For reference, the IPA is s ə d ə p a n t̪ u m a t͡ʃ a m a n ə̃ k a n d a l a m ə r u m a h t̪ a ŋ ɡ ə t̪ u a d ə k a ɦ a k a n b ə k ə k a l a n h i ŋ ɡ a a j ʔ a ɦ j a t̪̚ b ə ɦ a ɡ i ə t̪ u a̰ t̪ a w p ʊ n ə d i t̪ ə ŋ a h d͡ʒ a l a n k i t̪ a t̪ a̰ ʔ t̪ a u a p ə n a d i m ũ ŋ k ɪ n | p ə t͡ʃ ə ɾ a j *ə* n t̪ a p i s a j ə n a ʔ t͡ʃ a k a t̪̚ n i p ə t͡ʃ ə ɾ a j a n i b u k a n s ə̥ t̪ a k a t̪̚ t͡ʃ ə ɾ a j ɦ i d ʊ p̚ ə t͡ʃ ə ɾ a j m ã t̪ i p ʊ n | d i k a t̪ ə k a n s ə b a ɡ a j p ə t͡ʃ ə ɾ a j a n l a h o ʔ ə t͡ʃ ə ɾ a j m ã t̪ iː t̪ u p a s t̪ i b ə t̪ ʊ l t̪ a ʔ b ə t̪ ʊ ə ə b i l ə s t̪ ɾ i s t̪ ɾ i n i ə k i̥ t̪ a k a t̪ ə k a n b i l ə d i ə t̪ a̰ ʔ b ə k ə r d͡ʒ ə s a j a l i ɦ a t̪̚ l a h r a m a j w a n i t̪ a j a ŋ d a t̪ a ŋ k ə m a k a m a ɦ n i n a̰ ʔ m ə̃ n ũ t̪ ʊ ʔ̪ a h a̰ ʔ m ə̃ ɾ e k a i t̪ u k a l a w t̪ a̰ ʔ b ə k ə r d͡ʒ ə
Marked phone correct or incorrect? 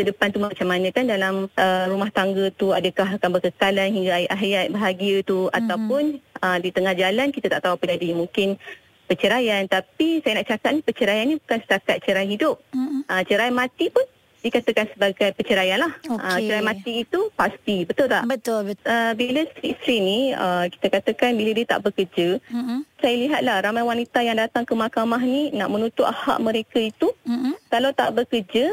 incorrect